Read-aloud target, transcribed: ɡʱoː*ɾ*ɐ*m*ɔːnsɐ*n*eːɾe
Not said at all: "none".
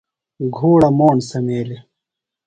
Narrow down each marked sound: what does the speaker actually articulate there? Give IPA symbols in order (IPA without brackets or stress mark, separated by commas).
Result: ɽ, m, m